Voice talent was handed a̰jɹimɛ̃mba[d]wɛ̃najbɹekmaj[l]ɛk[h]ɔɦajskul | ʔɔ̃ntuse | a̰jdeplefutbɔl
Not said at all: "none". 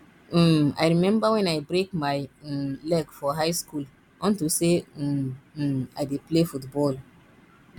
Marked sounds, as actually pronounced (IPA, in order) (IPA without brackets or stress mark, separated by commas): none, l, f